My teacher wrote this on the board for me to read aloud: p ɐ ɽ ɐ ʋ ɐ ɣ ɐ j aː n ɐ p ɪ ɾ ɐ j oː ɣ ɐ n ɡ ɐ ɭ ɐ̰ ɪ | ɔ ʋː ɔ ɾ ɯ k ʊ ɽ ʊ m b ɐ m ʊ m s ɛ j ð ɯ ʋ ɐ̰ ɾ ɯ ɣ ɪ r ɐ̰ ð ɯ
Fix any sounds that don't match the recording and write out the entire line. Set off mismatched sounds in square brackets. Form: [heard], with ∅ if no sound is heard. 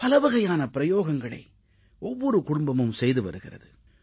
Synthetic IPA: p ɐ [l] ɐ ʋ ɐ ɣ ɐ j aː n ɐ p ɪ ɾ ɐ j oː ɣ ɐ [ŋ] ɡ ɐ ɭ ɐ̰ ɪ | ɔ ʋː ɔ ɾ ɯ k ʊ ɽ ʊ m b ɐ m [ɯ] m s ɛ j ð ɯ ʋ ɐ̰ ɾ ɯ ɣ ɪ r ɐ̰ ð ɯ